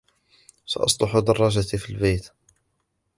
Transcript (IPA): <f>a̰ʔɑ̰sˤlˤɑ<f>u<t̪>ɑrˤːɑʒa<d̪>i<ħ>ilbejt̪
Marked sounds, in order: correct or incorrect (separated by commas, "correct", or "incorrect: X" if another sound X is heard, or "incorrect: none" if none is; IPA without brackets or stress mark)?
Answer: incorrect: s, incorrect: ħ, incorrect: d̪, incorrect: t̪, incorrect: f